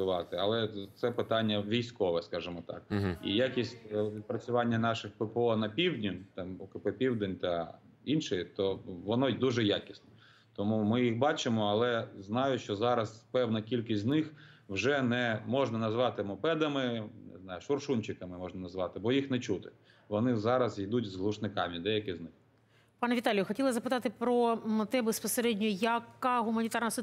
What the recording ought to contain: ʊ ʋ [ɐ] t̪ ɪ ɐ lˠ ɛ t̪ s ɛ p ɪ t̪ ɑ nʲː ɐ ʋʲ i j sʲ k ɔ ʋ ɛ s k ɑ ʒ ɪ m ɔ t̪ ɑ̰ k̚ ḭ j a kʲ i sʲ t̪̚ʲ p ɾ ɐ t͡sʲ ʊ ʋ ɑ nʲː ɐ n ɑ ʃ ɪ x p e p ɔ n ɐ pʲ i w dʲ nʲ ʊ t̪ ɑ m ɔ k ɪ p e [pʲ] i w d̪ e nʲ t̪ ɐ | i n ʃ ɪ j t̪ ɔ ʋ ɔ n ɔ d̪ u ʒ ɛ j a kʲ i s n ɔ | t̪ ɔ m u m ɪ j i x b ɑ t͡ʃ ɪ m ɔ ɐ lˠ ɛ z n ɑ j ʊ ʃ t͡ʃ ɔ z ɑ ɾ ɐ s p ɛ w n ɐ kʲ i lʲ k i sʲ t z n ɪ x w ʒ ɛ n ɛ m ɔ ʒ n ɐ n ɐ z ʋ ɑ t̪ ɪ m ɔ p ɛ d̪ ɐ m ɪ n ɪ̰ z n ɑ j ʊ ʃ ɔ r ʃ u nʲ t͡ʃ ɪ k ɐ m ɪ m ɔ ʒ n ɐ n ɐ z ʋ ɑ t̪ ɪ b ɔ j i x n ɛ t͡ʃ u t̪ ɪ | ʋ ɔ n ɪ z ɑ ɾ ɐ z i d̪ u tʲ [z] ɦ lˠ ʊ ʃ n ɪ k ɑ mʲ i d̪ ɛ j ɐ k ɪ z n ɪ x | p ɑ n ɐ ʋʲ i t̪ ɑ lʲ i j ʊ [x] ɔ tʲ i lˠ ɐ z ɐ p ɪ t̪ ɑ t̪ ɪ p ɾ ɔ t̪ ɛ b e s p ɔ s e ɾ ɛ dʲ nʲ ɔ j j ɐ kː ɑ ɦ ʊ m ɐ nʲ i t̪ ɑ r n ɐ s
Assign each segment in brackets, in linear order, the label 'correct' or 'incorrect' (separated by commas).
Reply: incorrect, correct, correct, correct